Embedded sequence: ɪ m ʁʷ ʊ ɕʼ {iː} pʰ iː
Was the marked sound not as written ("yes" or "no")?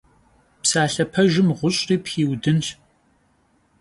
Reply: no